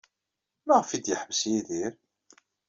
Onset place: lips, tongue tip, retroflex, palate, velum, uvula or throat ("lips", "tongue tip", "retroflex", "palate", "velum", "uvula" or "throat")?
lips